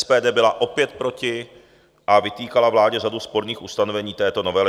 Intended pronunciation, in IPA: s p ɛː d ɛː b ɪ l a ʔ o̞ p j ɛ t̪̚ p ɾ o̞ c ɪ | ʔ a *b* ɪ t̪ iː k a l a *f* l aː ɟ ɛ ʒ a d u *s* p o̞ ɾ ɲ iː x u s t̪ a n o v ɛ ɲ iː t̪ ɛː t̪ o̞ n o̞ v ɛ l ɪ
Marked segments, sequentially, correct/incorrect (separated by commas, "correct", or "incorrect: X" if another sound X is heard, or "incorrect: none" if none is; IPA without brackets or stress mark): incorrect: v, incorrect: v, correct